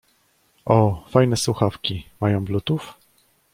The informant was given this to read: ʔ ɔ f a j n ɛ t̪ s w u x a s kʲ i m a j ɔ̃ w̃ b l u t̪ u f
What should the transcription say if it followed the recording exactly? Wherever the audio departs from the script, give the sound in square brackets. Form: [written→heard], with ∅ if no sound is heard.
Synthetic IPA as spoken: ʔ ɔ f a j n ɛ [t̪→∅] s w u x a [s→f] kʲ i m a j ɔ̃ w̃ b l u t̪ u f